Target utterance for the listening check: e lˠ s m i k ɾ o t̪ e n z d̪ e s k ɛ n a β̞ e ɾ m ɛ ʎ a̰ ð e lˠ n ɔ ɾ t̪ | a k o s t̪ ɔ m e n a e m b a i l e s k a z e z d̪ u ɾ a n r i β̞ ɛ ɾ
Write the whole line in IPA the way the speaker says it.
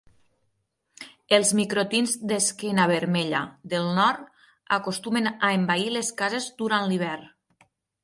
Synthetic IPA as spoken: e lˠ z m i k ɾ o t̪ i n z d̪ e s k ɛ n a β̞ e ɾ m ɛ ʎ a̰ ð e lˠ n ɔ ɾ t̪ | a k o s t̪ u m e n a e m b a i l e s k a z e z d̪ u ɾ a n l i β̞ ɛ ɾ